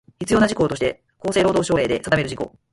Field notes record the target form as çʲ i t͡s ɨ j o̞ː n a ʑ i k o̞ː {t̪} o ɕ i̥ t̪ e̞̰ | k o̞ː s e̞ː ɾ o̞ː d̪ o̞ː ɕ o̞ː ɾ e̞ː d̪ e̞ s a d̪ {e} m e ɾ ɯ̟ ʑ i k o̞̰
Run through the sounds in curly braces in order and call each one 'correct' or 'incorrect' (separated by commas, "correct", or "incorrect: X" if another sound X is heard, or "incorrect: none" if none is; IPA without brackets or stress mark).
correct, incorrect: a